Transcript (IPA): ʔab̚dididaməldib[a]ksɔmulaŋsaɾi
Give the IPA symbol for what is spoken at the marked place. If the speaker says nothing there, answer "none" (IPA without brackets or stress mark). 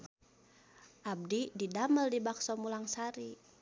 a